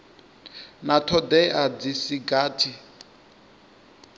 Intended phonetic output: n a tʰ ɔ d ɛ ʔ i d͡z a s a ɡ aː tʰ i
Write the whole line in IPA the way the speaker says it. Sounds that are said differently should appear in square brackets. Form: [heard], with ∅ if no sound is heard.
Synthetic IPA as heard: n a tʰ ɔ d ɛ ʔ [a] d͡z [i] s [i] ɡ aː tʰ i

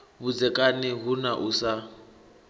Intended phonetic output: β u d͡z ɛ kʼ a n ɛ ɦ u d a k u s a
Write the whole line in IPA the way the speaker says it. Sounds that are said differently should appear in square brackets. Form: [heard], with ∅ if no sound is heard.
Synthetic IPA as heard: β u d͡z ɛ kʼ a n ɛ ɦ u [n] a [ʔ] u s a

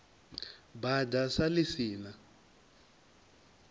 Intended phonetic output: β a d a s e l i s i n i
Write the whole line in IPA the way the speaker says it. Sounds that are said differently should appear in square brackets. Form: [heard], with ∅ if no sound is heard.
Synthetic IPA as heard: [b] a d a s [a] l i s [iː] n [a]

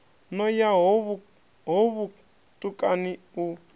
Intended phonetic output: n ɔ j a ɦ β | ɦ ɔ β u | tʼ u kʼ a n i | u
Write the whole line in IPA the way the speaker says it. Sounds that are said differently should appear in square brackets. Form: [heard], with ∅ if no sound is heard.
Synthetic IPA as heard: n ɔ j a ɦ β | ɦ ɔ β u | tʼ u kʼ a n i | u

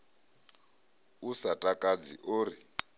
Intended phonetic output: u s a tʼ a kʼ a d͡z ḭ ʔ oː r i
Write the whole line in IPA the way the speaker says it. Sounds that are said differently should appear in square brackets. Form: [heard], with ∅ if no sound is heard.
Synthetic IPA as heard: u s a tʼ a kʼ a d͡z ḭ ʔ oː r i

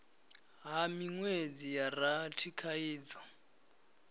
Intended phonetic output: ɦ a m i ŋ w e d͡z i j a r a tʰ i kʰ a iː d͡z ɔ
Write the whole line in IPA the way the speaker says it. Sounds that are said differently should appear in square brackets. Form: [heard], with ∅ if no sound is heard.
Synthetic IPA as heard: ɦ a m i ŋ w e d͡z i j a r a tʰ i kʰ a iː d͡z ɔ

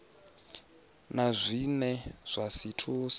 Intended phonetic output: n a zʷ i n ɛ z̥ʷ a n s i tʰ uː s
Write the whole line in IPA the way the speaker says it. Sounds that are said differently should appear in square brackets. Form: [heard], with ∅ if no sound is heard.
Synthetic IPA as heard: n a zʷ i n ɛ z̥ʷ a [∅] s i tʰ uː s

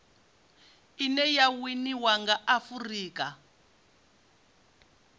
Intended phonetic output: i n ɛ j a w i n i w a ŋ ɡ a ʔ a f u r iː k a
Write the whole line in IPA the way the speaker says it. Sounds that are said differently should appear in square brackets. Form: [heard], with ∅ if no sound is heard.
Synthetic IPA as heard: i n ɛ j a w i n i w a ŋ ɡ a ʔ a f u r iː k a

